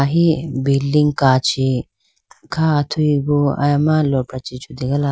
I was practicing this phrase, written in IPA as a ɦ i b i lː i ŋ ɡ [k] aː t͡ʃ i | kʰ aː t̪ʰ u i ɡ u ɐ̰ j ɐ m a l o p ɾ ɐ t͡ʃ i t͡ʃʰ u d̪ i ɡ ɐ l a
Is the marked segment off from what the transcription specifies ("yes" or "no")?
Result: no